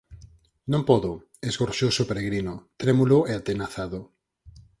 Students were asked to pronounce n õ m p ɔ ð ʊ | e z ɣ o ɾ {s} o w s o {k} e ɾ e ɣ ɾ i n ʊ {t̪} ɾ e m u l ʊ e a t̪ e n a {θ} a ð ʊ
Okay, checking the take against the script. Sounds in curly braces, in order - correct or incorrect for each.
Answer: incorrect: ʃ, incorrect: p, correct, correct

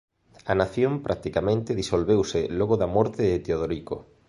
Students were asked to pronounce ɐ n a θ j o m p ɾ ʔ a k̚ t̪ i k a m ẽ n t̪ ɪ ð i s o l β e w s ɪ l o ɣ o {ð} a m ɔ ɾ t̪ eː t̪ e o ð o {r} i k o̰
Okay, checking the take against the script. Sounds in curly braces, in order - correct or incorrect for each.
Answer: correct, incorrect: ɾ

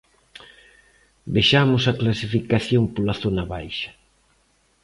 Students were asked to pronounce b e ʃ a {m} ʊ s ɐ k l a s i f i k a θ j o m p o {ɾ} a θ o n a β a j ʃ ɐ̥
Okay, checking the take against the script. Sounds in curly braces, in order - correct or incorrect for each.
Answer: correct, incorrect: l

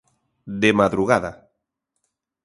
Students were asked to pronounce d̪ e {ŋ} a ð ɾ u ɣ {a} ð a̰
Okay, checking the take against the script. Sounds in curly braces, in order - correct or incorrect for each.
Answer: incorrect: m, correct

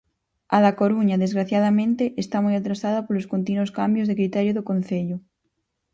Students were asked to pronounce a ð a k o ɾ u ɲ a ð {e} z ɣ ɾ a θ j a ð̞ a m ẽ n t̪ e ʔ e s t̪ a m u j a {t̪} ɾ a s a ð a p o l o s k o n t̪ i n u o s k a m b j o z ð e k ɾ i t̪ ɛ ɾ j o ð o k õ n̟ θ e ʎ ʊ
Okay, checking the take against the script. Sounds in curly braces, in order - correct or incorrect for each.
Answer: correct, correct

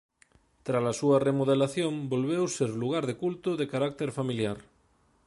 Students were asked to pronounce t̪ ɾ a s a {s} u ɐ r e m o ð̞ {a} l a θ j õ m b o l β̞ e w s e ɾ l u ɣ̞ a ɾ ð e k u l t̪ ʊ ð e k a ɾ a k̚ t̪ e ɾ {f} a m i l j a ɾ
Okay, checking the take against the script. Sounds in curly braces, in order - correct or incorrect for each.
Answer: correct, incorrect: e, correct

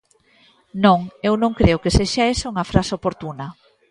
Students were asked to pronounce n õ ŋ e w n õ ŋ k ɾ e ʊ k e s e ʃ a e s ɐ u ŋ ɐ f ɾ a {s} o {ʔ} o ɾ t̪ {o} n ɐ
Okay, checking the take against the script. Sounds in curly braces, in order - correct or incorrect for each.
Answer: correct, incorrect: p, incorrect: u

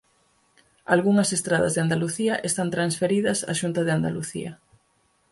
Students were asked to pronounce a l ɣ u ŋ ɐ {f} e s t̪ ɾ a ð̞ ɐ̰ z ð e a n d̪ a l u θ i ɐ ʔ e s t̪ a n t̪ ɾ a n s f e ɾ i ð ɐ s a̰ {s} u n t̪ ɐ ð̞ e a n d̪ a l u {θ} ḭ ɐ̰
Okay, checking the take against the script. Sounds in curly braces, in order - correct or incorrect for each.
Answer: incorrect: s, incorrect: ʃ, correct

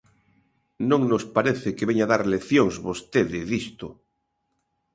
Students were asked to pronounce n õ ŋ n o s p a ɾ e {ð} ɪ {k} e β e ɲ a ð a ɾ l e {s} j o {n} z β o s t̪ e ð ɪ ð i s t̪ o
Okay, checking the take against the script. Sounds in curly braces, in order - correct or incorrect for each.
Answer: incorrect: θ, correct, incorrect: θ, incorrect: ŋ

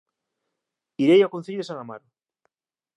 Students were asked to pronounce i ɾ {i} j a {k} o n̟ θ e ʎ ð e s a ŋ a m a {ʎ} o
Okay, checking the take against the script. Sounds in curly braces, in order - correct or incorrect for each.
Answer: incorrect: e, correct, incorrect: ɾ

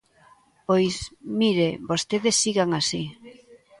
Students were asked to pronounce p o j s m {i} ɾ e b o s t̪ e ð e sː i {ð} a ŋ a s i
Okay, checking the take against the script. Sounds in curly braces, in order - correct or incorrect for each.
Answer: correct, incorrect: ɣ

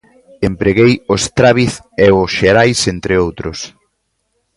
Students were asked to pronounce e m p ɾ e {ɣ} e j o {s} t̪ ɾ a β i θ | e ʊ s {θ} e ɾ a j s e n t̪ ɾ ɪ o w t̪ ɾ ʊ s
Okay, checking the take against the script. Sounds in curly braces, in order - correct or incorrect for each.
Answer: correct, correct, incorrect: ʃ

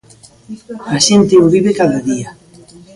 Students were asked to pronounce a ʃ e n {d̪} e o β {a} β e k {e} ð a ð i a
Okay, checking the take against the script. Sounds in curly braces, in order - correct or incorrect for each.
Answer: incorrect: t̪, incorrect: i, incorrect: a

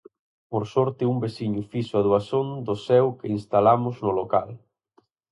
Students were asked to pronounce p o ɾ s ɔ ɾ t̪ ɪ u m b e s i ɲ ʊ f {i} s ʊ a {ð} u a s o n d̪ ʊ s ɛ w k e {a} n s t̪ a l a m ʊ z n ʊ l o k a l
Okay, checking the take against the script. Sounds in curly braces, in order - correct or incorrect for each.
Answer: correct, correct, incorrect: i

